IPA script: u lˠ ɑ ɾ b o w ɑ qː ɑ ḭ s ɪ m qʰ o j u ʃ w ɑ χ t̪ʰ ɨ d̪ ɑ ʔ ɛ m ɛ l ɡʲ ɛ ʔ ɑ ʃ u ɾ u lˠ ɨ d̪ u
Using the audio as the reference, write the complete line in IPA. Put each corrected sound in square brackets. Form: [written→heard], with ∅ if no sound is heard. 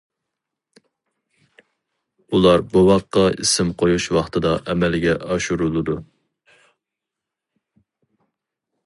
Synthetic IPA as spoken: u lˠ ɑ ɾ b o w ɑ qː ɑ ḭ s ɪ m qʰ o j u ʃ w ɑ χ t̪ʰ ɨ d̪ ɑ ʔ ɛ m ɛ l ɡʲ ɛ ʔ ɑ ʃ u ɾ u lˠ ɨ d̪ u